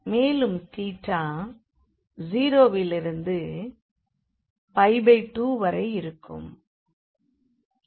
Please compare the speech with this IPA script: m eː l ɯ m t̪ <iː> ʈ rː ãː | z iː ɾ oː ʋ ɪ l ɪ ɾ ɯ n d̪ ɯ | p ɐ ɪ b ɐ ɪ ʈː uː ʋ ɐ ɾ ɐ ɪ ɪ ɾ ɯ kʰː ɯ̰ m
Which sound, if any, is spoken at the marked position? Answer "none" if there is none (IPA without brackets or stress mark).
iː